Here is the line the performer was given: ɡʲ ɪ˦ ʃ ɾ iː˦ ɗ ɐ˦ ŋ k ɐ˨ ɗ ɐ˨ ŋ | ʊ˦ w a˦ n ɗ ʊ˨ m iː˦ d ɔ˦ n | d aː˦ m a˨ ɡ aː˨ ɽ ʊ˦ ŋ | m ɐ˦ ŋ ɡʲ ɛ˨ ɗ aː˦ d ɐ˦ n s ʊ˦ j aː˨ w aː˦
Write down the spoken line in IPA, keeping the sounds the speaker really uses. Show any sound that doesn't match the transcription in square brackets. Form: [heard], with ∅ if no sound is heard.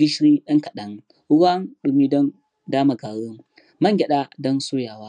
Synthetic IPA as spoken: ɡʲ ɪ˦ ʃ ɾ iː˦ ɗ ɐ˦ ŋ k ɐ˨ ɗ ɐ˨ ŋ | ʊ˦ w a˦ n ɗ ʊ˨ m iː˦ d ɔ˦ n | d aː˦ m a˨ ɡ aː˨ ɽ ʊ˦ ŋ | m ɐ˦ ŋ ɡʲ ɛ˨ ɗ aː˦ d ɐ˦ n s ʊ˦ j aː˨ w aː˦